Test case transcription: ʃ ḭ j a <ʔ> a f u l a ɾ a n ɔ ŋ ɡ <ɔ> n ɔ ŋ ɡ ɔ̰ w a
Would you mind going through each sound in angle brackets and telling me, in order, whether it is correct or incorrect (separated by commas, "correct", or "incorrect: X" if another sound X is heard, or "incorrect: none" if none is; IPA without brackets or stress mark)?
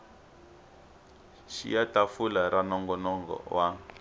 incorrect: t, correct